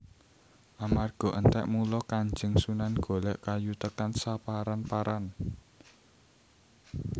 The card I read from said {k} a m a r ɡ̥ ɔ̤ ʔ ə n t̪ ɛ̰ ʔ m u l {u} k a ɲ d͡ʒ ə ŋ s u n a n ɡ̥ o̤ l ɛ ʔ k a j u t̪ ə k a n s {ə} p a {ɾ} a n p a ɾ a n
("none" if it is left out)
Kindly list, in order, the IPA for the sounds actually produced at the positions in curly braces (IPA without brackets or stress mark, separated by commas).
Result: ʔ, ɔ, a, ɾ